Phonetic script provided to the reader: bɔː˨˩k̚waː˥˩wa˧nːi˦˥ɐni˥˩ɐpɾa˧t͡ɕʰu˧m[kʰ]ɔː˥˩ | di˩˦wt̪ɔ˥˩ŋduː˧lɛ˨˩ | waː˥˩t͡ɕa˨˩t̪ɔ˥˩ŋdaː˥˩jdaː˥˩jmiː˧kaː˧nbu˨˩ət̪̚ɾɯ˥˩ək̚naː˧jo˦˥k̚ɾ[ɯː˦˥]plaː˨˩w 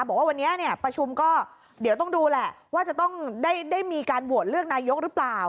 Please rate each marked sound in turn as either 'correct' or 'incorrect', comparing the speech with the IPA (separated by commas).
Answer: incorrect, incorrect